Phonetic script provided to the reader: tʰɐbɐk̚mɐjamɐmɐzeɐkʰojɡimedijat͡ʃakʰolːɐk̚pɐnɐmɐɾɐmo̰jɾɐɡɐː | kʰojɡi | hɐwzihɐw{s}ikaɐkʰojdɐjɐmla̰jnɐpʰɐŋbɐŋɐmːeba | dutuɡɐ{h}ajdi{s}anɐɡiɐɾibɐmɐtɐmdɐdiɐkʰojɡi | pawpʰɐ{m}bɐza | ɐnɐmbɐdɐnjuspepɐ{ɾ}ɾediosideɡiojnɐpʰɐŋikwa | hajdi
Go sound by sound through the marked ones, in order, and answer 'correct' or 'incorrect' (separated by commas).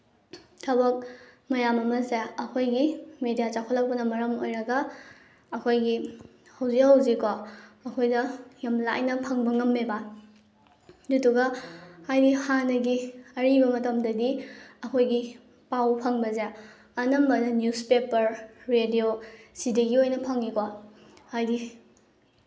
incorrect, correct, incorrect, incorrect, correct